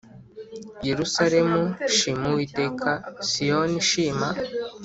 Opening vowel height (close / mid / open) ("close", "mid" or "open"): mid